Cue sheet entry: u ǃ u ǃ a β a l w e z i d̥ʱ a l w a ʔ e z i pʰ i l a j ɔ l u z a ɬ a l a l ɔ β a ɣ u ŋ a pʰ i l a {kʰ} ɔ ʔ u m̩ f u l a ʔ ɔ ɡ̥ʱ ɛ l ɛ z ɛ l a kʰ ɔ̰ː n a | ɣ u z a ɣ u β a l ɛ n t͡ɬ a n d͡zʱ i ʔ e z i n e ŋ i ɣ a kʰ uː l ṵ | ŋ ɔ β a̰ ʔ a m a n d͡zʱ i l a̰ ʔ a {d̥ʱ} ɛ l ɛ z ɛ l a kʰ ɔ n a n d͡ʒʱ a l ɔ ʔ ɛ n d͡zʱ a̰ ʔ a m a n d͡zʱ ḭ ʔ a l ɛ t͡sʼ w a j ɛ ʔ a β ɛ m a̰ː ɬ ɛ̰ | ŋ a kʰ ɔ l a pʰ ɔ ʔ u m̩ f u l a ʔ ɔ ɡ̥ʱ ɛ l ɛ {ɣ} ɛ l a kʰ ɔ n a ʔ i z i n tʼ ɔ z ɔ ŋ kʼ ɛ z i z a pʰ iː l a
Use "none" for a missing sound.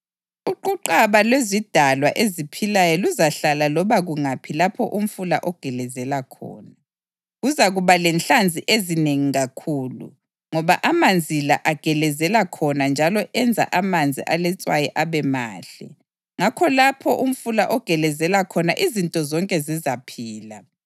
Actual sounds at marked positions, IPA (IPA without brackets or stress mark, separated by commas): pʰ, ɡ̥ʱ, z